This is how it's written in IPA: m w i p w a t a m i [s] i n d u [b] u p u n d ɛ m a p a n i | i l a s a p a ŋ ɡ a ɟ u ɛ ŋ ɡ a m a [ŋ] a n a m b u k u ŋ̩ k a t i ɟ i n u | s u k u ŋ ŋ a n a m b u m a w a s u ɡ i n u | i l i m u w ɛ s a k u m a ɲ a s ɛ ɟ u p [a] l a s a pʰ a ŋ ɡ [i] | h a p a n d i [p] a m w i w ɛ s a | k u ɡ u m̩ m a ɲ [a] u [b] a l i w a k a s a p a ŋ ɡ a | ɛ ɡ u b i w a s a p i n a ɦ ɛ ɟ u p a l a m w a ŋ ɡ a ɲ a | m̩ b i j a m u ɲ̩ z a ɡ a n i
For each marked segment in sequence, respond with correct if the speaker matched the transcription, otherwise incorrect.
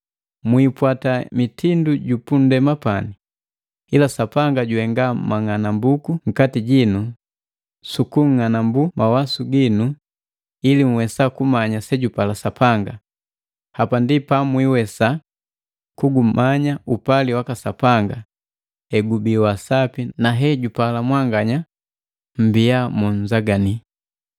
incorrect: t, incorrect: ɟ, correct, correct, incorrect: a, correct, correct, incorrect: p

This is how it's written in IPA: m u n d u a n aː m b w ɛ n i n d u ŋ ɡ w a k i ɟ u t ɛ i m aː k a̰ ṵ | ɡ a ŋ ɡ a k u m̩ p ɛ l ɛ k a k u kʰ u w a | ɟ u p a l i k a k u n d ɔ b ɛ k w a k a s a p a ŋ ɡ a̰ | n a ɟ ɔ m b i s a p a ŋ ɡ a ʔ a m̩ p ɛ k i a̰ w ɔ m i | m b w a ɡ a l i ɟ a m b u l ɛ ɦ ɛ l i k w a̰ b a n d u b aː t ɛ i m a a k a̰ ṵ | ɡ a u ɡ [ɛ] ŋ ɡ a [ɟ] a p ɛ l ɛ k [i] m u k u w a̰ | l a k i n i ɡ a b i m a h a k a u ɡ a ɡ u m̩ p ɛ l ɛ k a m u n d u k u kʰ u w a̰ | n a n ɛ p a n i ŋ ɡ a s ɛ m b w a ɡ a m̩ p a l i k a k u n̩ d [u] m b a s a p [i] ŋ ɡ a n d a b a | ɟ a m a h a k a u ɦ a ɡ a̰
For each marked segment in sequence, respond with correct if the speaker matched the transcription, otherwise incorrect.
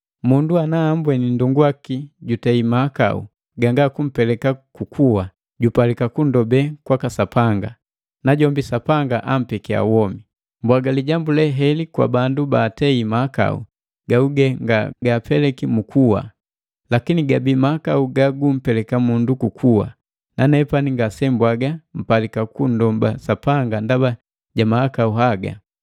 correct, incorrect: ɡ, correct, incorrect: ɔ, incorrect: a

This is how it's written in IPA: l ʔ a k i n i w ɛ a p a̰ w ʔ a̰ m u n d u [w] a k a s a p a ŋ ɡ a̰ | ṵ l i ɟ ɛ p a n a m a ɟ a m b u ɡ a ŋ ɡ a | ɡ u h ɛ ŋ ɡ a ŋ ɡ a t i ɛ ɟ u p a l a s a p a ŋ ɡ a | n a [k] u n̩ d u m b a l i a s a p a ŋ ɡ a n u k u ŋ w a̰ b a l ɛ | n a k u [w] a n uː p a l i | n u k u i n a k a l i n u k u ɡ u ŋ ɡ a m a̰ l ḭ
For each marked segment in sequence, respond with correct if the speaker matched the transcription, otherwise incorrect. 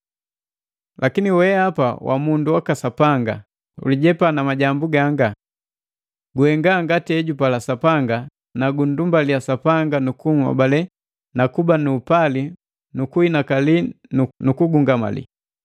correct, incorrect: ɡ, incorrect: b

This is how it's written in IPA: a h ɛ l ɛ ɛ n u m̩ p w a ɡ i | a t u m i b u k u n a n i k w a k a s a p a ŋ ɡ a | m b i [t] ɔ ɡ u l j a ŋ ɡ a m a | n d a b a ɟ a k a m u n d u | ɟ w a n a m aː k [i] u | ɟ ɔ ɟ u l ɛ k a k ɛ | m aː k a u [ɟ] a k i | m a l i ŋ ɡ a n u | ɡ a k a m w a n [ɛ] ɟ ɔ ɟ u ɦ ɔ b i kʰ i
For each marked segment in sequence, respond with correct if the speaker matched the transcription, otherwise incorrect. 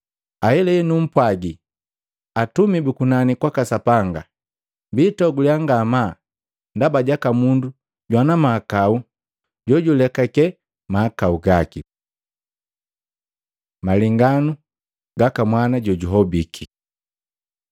correct, incorrect: a, incorrect: ɡ, incorrect: a

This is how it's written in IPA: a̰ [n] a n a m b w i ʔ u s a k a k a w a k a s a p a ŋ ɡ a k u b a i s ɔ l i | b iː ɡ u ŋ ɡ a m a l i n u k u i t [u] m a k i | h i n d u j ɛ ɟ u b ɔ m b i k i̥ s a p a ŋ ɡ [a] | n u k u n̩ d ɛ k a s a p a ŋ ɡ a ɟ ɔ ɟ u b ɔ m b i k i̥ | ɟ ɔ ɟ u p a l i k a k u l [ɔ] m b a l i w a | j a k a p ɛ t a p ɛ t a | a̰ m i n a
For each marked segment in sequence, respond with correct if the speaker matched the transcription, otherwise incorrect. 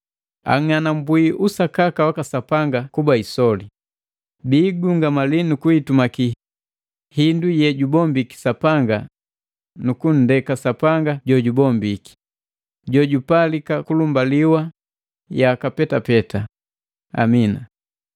incorrect: ŋ, correct, correct, incorrect: u

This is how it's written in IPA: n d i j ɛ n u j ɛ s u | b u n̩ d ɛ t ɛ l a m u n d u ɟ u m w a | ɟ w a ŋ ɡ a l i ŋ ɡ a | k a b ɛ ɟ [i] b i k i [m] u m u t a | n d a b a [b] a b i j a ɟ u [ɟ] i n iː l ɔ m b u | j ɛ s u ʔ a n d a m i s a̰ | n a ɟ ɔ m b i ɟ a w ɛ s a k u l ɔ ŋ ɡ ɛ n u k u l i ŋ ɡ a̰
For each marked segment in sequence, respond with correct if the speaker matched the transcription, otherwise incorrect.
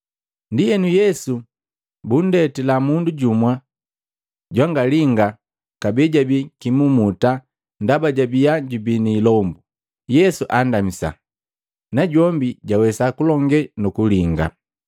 incorrect: a, correct, incorrect: ɟ, incorrect: b

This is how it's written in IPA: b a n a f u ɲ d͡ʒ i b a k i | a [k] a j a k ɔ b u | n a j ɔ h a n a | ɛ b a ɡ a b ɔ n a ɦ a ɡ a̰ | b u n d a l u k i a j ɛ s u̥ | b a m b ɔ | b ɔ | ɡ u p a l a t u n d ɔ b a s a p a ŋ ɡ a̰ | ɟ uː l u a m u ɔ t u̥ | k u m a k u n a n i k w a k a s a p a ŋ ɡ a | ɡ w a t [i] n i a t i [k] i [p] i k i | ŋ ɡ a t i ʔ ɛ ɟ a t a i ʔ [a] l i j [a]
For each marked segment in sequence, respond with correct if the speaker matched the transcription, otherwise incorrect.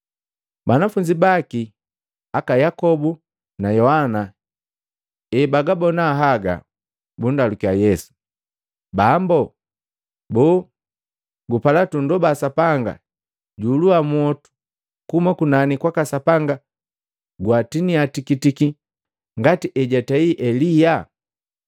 correct, correct, correct, incorrect: t, incorrect: ɛ, correct

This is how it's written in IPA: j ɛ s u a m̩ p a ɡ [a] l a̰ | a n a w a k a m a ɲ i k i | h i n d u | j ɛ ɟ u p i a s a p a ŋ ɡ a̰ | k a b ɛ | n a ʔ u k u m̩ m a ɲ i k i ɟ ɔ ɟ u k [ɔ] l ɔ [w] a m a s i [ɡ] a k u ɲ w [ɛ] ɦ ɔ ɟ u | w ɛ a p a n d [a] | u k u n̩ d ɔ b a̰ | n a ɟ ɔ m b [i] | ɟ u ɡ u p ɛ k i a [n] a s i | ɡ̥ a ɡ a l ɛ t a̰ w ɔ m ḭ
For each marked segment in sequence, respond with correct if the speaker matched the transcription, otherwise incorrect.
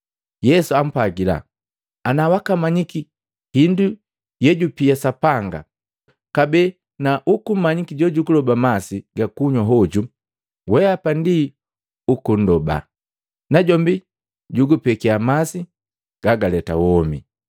incorrect: i, incorrect: u, incorrect: b, correct, incorrect: a, incorrect: i, correct, incorrect: m

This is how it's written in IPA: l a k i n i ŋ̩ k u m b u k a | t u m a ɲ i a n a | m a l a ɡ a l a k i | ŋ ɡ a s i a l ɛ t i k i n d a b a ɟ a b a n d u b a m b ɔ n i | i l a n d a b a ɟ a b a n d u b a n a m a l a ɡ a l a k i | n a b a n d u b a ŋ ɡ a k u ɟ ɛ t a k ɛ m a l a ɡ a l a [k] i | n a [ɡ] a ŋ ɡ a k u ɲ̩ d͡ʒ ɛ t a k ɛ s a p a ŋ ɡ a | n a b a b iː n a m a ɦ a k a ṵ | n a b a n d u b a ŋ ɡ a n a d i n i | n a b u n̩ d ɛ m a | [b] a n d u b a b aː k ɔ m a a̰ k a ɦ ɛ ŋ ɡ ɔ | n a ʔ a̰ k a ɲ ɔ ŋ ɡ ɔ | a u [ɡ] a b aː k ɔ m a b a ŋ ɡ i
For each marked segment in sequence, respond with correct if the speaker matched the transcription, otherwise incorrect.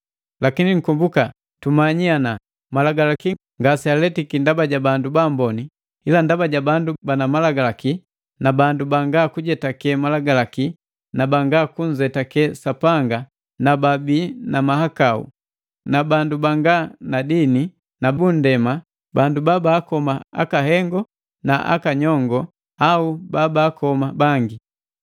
correct, incorrect: b, correct, incorrect: b

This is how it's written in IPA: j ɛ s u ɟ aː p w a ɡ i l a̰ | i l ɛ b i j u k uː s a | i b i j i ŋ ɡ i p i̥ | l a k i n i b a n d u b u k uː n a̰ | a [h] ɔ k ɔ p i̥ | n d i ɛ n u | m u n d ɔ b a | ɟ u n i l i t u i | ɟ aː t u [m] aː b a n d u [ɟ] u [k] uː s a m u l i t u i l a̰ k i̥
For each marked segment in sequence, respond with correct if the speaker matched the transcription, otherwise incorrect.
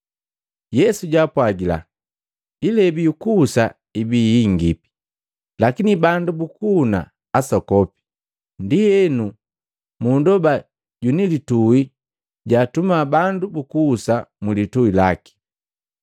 incorrect: s, correct, incorrect: b, correct

